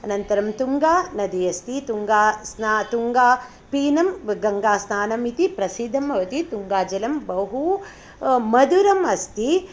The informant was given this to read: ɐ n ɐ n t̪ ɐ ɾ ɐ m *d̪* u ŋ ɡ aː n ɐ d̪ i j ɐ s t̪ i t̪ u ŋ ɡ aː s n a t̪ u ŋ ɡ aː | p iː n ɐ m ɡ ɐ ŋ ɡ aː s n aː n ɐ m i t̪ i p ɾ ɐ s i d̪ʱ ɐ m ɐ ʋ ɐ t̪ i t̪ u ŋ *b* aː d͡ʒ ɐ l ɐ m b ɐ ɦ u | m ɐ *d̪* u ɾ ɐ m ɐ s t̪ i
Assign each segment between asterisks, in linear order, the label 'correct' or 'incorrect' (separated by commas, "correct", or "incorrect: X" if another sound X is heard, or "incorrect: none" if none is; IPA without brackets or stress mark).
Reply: incorrect: t̪, incorrect: ɡ, correct